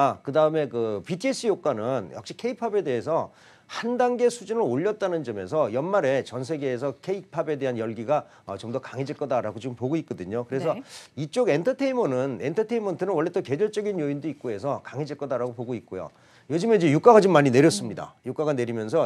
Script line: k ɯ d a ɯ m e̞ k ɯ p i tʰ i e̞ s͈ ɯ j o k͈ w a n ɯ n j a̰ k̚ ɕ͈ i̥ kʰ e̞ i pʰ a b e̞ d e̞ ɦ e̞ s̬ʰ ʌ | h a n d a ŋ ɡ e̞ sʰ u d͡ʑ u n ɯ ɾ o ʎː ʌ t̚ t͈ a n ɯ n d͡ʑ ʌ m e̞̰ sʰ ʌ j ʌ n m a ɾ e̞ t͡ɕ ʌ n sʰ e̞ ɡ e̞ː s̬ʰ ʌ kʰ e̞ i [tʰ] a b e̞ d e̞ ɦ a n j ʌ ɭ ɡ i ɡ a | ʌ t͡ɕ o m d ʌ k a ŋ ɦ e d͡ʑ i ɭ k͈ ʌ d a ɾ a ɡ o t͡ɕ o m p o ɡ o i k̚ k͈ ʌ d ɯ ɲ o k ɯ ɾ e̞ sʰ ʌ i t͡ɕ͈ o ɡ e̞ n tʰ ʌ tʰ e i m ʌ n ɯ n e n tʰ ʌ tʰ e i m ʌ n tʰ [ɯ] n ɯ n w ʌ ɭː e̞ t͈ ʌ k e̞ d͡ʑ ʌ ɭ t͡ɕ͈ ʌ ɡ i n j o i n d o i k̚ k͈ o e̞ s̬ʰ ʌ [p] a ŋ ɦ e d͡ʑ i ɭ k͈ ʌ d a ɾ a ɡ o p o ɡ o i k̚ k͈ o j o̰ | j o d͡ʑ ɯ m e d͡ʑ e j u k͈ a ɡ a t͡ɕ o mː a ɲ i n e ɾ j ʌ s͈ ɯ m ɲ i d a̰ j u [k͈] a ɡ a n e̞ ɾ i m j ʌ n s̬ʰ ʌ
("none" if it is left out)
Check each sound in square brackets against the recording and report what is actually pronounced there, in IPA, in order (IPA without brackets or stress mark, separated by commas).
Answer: pʰ, ɯ, k, k͈